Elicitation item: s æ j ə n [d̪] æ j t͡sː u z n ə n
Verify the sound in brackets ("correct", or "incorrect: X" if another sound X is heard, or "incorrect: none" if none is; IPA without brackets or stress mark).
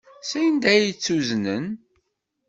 correct